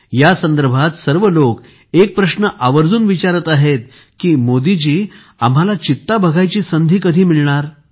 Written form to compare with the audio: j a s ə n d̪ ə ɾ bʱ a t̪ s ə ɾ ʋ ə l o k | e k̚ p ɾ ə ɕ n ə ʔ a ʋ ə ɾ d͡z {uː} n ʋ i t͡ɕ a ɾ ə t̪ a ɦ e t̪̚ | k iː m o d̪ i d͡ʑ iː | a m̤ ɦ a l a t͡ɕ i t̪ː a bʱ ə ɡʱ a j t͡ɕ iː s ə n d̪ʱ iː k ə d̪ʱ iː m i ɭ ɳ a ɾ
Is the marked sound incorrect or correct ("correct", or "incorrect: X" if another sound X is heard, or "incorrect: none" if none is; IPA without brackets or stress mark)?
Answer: correct